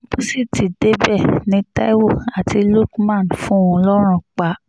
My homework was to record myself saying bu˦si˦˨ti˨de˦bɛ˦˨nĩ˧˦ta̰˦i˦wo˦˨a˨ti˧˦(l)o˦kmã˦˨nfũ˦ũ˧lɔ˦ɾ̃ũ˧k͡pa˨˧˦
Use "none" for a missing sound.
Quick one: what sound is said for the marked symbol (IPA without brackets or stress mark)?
l